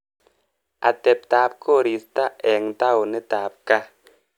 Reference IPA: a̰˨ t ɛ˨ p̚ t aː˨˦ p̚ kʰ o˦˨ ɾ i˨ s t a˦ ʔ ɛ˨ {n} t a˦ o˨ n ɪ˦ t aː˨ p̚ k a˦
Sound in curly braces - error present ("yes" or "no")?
yes